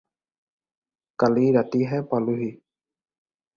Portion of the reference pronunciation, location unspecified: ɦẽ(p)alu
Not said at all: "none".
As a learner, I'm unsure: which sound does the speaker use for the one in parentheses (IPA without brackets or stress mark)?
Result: p